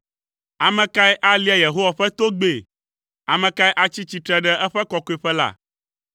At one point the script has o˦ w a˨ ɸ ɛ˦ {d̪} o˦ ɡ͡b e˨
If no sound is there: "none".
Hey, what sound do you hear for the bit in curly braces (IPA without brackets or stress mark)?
t̪